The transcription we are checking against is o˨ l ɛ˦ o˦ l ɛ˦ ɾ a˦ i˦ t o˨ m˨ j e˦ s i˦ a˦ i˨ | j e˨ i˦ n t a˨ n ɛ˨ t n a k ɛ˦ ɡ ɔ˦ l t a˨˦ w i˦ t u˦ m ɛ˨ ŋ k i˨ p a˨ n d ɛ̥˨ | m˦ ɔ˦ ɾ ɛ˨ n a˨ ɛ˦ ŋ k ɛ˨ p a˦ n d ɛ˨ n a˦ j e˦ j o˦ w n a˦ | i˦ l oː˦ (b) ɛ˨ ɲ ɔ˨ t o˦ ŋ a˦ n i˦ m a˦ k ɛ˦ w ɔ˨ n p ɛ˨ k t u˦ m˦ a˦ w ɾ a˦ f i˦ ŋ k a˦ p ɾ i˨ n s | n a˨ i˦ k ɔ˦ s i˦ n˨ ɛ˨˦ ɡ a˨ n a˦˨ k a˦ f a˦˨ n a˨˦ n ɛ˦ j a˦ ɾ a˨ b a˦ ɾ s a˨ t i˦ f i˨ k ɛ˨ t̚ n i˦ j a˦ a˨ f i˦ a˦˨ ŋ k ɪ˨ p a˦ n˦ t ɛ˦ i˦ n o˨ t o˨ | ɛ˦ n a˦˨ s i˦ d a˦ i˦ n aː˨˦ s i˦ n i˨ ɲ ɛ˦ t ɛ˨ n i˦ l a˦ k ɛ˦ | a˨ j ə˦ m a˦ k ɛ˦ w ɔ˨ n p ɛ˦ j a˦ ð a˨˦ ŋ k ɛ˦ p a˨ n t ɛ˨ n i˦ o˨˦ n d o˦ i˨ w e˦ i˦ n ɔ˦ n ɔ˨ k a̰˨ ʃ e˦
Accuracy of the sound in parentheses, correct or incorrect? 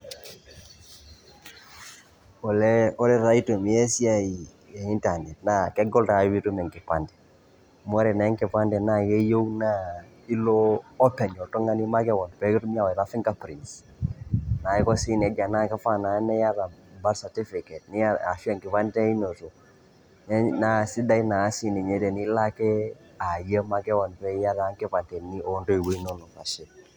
incorrect